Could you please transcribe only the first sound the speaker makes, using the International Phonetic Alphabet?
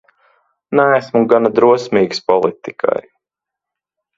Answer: n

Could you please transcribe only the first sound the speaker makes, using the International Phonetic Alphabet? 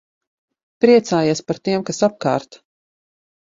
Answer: p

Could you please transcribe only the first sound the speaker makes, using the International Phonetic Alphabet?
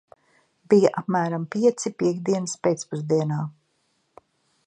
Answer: b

